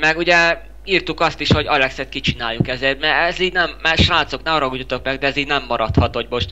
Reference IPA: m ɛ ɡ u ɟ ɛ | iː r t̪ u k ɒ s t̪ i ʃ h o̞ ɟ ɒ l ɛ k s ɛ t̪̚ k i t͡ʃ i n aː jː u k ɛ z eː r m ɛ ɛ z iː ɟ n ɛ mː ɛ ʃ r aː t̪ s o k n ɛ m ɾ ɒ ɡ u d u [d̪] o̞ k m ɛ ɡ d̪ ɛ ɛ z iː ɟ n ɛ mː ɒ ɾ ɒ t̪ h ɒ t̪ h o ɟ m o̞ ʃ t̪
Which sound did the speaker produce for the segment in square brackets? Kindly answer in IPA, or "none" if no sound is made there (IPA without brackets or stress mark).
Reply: t̪